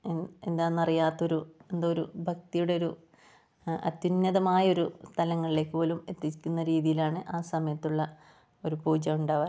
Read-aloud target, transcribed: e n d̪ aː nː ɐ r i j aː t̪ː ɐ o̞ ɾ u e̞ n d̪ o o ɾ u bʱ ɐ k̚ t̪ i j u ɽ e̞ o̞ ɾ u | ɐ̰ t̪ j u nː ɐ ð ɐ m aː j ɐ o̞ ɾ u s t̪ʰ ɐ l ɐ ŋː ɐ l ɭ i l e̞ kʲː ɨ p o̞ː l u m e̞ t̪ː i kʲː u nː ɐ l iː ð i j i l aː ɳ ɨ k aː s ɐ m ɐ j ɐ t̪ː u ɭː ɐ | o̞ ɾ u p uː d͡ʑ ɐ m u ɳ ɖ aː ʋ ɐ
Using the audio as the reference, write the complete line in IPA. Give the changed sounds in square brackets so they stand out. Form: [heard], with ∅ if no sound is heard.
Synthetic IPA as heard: e n d̪ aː nː ɐ r i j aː t̪ː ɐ o̞ ɾ u e̞ n d̪ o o ɾ u bʱ ɐ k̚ t̪ i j u ɽ e̞ o̞ ɾ u | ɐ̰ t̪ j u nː ɐ ð ɐ m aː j ɐ o̞ ɾ u s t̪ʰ ɐ l ɐ ŋː ɐ [∅] ɭ i l e̞ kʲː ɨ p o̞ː l u m e̞ t̪ː i kʲː u nː ɐ [ɾ] iː ð i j i l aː ɳ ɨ [ʔ] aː s ɐ m ɐ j ɐ t̪ː u ɭː ɐ | o̞ ɾ u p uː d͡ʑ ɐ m u ɳ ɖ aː ʋ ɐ